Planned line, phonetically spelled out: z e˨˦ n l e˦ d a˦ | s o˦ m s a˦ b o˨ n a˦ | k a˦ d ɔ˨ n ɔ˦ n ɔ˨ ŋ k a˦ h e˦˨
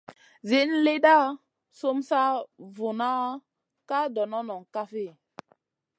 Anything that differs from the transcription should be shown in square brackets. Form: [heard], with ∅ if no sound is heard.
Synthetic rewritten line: z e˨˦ n l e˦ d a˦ | s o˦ m s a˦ [v] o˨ n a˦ | k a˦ d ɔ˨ n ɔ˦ n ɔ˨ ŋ k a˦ [f] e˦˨